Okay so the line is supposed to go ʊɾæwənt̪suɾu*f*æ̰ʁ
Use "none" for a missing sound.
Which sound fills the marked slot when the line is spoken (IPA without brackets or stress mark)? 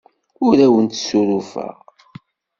f